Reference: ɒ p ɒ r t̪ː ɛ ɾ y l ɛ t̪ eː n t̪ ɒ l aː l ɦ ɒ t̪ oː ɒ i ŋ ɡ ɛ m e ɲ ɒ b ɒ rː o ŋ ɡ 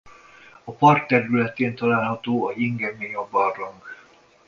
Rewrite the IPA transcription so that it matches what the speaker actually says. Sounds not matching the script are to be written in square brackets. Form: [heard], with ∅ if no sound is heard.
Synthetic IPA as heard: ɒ p ɒ r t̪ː ɛ ɾ y l ɛ t̪ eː n t̪ ɒ l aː l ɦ ɒ t̪ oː ɒ i ŋ ɡ ɛ m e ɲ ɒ b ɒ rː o ŋ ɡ